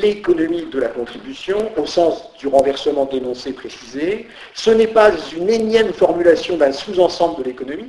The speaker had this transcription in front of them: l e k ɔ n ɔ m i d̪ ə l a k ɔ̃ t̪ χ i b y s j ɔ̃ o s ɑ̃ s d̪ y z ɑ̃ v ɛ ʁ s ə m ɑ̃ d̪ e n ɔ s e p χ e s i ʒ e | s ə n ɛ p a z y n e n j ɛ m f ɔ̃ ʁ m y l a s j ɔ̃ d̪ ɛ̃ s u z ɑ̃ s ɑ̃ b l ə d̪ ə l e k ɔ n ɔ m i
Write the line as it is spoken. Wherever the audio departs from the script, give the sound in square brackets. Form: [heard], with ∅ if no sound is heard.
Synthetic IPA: l e k ɔ n ɔ m i d̪ ə l a k ɔ̃ t̪ χ i b y s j ɔ̃ o s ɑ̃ s d̪ y [ʁ] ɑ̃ v ɛ ʁ s ə m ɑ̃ d̪ e n [ɔ̃] s e p χ e s i [z] e | s ə n ɛ p a z y n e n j ɛ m f [ɔ] ʁ m y l a s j ɔ̃ d̪ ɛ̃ s u z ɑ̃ s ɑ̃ b l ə d̪ ə l e k ɔ n ɔ m i